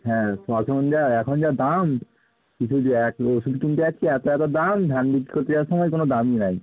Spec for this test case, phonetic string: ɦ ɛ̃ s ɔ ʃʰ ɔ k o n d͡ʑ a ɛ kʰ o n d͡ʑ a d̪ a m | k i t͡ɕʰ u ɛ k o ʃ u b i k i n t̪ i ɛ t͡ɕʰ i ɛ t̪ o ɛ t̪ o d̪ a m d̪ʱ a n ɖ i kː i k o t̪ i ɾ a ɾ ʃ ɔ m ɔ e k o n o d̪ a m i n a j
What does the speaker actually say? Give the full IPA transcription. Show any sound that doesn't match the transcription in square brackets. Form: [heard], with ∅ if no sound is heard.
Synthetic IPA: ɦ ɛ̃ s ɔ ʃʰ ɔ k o n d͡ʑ a ɛ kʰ o n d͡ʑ a d̪ a m | k i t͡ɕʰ u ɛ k o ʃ u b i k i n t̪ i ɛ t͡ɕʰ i ɛ t̪ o ɛ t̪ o d̪ a m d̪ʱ a n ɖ i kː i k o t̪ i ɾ a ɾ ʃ ɔ m ɔ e k o n o d̪ a m i n a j